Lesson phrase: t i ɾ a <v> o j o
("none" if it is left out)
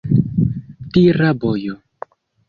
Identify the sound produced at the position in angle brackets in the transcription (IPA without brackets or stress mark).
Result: b